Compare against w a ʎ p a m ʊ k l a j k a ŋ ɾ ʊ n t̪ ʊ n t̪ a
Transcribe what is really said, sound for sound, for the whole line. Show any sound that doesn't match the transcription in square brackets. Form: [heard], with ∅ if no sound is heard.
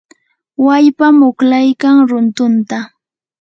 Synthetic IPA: w a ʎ p a m ʊ k l a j k a ŋ ɾ ʊ n t̪ ʊ n t̪ a